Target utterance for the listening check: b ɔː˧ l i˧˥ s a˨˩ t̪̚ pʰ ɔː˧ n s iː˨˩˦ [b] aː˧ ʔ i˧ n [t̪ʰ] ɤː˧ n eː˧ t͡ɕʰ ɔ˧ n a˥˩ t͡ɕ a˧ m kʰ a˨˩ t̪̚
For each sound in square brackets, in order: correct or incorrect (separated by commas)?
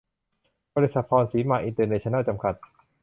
incorrect, incorrect